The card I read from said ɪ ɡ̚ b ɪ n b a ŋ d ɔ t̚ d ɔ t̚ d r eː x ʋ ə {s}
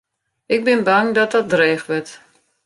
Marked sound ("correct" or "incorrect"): incorrect